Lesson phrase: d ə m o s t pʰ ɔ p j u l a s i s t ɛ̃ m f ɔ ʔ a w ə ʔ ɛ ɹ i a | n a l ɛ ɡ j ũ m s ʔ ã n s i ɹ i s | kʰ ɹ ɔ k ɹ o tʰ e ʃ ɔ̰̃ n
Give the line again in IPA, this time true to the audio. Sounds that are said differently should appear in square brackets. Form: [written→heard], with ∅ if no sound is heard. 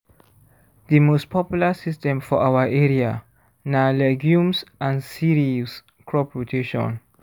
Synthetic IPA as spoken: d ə m o s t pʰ ɔ p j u l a s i s t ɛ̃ m f ɔ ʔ a w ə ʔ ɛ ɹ i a | n a l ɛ ɡ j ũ m s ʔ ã n s i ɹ i s | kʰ ɹ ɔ [k→p] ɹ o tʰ e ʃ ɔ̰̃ n